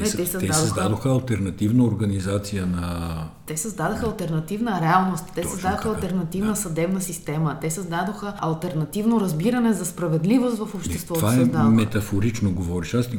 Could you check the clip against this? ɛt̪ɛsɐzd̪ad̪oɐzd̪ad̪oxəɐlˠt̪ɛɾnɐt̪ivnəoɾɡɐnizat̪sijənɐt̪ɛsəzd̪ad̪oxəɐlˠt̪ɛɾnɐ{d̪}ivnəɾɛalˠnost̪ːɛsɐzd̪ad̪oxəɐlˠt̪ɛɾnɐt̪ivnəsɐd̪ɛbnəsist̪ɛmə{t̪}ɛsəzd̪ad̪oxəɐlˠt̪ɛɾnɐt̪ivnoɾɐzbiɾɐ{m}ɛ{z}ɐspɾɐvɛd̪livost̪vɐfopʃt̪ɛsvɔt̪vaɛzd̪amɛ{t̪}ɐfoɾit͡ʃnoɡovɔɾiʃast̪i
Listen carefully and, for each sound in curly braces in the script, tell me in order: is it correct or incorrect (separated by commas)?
incorrect, correct, incorrect, correct, correct